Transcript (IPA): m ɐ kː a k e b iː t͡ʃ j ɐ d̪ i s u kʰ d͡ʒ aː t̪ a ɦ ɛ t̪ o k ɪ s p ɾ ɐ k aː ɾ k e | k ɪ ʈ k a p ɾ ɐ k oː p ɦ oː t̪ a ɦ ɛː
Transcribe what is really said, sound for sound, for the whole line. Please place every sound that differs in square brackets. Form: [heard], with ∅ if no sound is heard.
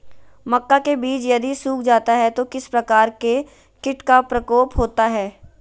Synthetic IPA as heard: m ɐ kː a k e b iː t͡ʃ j ɐ d̪ i s [uː] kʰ d͡ʒ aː t̪ a ɦ ɛ t̪ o k ɪ s p ɾ ɐ k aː ɾ k e | k ɪ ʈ k a p ɾ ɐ k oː p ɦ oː t̪ a ɦ ɛː